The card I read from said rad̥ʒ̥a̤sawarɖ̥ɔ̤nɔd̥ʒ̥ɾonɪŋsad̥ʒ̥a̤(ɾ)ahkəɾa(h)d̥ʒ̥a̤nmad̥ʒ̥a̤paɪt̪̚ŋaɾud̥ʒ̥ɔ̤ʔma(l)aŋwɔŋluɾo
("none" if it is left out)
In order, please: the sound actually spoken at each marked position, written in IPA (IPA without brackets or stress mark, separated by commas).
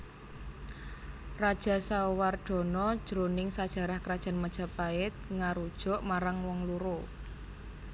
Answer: ɾ, none, ɾ